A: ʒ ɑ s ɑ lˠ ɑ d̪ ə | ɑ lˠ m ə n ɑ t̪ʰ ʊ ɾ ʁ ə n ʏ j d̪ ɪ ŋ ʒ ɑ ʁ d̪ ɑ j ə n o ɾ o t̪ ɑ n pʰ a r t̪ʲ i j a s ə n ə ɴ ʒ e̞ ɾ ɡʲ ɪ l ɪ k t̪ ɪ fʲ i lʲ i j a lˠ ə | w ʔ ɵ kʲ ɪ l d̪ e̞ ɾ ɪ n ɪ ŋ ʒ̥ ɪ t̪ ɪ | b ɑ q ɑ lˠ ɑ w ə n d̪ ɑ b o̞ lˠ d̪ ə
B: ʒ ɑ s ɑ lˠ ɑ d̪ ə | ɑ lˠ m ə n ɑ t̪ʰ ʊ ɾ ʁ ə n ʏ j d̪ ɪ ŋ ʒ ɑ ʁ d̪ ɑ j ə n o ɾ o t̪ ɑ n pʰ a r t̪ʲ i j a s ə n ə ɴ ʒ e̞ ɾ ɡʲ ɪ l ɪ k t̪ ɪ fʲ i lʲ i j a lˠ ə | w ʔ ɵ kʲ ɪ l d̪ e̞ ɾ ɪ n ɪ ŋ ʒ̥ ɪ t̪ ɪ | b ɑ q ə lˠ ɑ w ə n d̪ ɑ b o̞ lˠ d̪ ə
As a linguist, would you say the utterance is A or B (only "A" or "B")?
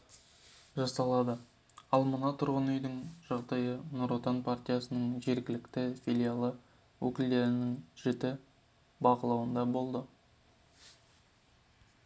B